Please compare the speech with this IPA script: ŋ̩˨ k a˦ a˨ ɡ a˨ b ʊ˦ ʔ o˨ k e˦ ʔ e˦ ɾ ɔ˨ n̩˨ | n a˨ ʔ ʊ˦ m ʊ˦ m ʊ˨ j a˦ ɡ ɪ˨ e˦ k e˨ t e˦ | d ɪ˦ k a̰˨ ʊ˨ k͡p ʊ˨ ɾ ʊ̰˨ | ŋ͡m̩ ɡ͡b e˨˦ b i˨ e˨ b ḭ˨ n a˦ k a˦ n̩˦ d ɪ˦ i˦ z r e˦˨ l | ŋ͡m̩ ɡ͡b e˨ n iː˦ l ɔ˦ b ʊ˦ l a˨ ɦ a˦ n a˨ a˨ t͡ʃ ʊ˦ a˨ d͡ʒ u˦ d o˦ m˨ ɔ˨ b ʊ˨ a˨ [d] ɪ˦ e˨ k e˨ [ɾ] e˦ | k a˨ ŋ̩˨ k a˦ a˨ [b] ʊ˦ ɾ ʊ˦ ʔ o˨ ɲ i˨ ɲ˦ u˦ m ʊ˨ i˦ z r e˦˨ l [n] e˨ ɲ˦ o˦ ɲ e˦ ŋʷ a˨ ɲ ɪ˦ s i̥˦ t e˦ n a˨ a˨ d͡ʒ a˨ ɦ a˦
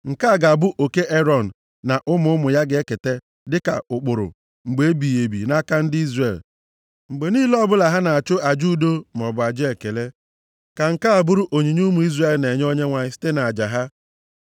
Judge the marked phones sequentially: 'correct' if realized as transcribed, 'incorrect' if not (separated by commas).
incorrect, incorrect, correct, correct